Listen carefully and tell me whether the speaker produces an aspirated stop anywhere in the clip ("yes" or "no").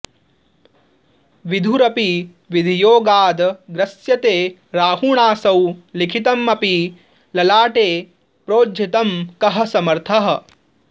yes